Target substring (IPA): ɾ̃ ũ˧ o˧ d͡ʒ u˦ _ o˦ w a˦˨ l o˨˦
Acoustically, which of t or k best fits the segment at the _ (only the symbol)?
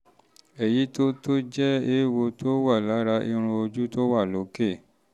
t